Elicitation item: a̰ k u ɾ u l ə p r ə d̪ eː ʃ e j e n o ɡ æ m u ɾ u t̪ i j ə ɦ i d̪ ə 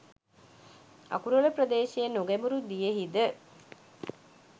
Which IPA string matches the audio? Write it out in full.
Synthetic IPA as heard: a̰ k u ɾ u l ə p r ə d̪ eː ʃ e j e n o ɡ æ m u ɾ u d̪ i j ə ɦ i d̪ ə